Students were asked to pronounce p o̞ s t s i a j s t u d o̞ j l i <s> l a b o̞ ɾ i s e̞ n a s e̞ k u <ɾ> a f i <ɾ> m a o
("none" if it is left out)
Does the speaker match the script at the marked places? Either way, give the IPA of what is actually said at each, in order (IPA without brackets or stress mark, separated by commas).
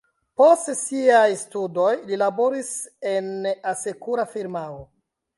none, ɾ, ɾ